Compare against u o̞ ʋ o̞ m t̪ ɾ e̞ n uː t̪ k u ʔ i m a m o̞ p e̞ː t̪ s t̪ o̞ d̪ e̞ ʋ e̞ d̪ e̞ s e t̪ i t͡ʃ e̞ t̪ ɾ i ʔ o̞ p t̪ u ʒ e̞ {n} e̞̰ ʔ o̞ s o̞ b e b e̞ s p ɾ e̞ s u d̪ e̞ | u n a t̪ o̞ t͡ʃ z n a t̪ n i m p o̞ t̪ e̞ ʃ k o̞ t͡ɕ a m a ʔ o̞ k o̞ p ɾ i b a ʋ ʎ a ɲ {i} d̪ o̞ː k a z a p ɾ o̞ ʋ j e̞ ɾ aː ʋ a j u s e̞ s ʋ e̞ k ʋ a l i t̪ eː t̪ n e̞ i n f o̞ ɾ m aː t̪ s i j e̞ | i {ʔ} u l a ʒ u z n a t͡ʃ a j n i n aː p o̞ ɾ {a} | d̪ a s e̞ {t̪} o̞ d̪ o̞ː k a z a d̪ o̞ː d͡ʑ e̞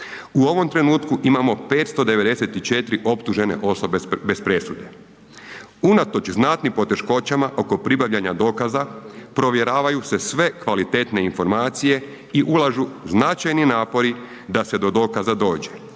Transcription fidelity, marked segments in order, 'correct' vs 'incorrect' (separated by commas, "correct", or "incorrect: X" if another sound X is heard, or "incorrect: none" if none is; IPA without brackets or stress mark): correct, incorrect: a, correct, incorrect: i, incorrect: d̪